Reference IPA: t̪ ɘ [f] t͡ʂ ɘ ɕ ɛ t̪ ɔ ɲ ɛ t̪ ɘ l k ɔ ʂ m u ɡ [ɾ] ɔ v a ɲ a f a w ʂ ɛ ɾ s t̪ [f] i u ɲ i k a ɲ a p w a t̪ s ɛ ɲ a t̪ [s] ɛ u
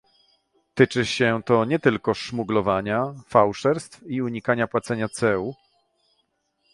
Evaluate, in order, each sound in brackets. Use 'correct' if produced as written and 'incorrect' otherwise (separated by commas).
incorrect, incorrect, correct, correct